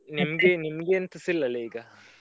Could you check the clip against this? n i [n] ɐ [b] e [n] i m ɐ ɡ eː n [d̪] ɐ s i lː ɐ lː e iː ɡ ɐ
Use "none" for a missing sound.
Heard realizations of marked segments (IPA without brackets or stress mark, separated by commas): m, ɡ, n, t̪